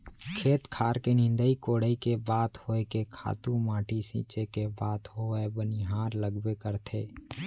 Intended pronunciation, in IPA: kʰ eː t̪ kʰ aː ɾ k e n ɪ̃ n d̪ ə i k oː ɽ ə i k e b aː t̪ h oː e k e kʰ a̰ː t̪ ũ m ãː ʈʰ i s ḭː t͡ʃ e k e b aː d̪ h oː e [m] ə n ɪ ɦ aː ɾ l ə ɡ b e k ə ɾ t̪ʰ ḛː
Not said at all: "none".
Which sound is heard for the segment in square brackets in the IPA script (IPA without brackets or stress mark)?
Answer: b